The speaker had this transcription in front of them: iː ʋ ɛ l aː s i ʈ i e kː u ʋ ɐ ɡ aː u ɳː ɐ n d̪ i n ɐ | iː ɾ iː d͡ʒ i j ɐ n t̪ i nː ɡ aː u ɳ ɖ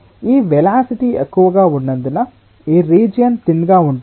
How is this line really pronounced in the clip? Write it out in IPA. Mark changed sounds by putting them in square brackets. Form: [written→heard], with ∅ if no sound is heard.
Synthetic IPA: iː ʋ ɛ l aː s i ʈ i e kː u ʋ ɐ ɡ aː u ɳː ɐ n d̪ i n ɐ | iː ɾ iː d͡ʒ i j ɐ n t̪ i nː ɡ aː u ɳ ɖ